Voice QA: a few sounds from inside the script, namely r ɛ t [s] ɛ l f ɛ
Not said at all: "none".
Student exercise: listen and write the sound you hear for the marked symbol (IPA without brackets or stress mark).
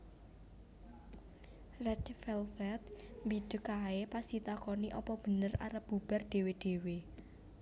f